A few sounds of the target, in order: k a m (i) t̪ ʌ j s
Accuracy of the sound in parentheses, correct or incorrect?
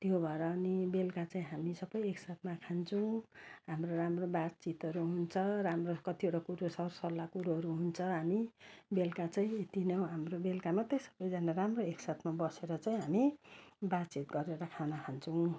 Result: incorrect